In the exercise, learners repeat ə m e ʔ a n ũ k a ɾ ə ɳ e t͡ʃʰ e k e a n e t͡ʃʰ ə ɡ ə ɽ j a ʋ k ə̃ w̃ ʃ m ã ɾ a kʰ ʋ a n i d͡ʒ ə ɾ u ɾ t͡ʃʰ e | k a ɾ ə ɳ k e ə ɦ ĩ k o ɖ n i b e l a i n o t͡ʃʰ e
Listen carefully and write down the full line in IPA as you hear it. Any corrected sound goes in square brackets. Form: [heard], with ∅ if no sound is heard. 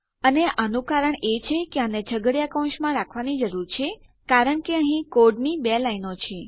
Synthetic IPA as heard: ə [n] e ʔ a n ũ k a ɾ ə ɳ e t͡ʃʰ e k e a n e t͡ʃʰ ə ɡ ə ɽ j a [∅] k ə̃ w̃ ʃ m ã ɾ a kʰ ʋ a n i d͡ʒ ə ɾ u ɾ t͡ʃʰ e | k a ɾ ə ɳ k e ə ɦ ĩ k o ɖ n i b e l a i n o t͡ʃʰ e